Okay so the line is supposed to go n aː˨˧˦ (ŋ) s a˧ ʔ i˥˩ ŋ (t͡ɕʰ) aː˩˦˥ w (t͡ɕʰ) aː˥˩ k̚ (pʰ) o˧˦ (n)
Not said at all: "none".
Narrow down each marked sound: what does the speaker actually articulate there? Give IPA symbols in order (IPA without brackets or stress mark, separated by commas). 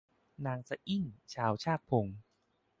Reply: ŋ, t͡ɕʰ, t͡ɕʰ, pʰ, ŋ